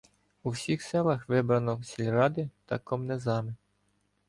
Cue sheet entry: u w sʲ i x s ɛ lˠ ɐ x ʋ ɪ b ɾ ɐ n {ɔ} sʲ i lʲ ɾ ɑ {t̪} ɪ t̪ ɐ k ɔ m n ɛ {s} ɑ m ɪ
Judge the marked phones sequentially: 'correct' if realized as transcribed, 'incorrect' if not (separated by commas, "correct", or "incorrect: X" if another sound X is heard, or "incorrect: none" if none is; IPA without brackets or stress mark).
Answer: correct, incorrect: d̪, incorrect: z